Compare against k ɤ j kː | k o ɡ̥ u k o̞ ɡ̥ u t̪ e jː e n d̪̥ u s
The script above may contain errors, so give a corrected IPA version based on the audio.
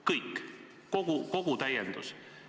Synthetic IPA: k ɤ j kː | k o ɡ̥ u k o̞ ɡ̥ u t̪ æ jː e n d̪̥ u s